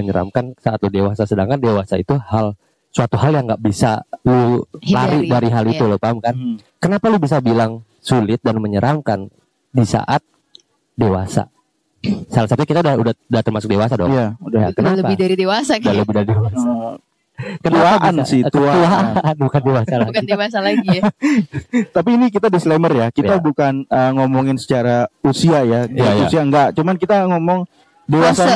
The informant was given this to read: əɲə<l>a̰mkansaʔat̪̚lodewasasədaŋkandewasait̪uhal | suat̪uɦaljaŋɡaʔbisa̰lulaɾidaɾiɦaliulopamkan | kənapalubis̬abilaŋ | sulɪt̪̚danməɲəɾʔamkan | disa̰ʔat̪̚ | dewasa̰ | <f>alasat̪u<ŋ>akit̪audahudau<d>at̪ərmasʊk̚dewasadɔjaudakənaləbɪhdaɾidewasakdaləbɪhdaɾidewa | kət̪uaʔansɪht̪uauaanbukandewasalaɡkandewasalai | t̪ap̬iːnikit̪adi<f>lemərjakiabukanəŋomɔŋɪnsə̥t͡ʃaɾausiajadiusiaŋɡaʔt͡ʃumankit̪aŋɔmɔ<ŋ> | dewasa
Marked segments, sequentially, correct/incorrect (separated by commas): incorrect, incorrect, incorrect, correct, incorrect, correct